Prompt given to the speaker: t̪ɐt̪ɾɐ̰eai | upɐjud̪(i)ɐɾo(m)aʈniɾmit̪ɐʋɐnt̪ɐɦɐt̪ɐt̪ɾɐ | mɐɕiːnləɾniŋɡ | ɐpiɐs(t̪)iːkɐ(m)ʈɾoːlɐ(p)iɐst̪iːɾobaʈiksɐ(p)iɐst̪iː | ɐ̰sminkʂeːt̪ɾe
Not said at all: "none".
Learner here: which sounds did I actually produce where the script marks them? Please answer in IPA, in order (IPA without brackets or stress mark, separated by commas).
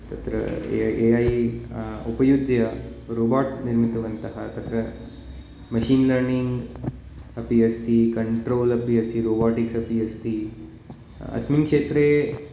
j, b, t̪, ɳ, p, p